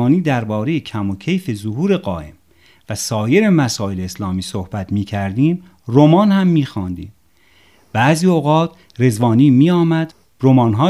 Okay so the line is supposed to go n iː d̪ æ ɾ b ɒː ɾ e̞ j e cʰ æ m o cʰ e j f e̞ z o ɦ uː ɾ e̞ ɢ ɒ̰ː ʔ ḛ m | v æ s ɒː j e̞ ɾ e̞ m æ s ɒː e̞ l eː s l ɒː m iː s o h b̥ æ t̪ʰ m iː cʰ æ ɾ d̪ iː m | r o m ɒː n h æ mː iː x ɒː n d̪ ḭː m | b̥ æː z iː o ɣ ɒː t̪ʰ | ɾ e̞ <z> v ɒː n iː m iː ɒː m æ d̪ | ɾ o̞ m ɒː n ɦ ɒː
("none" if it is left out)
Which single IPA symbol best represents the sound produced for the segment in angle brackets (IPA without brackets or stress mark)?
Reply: z